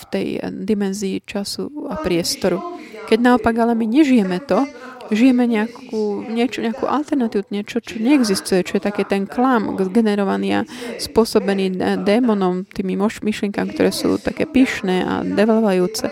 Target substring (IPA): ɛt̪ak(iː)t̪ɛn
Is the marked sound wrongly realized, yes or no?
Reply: yes